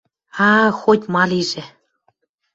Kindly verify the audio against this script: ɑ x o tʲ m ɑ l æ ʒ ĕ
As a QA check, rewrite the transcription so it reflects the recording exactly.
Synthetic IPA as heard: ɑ x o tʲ m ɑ l i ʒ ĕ